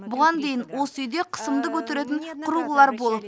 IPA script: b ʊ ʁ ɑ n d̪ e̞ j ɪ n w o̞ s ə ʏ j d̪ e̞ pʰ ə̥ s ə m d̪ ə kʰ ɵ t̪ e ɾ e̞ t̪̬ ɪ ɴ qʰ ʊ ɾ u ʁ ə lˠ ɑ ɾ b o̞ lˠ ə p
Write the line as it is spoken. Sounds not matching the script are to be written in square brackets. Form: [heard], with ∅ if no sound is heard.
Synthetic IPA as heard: b ʊ ʁ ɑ n d̪ e̞ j ɪ n w o̞ s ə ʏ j d̪ e̞ [qʰ] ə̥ s ə m d̪ ə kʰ ɵ t̪ e ɾ e̞ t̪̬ ɪ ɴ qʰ ʊ ɾ u ʁ ə lˠ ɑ ɾ b o̞ lˠ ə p